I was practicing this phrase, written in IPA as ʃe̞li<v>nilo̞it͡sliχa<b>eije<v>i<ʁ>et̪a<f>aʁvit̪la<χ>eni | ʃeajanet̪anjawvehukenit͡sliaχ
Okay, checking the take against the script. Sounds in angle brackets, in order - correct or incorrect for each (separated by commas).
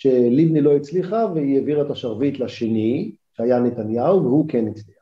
correct, incorrect, correct, correct, incorrect, incorrect